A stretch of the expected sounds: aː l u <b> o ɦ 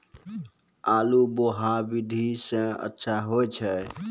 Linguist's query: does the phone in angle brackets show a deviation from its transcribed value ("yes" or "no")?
no